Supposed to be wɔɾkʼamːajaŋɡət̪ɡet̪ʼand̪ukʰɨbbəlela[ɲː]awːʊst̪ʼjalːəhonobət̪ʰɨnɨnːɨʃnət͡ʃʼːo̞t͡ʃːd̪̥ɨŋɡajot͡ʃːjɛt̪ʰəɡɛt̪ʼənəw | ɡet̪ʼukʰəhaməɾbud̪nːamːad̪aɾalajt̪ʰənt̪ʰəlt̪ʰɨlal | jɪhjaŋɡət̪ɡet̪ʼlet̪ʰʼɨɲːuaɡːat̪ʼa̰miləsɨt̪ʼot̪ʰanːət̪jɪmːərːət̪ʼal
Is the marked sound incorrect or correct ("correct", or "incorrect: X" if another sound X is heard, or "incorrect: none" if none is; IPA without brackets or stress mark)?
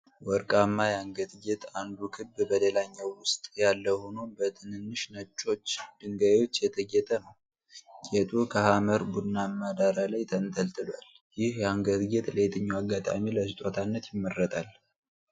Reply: correct